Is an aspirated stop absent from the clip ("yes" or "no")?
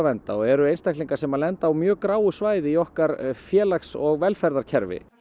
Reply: no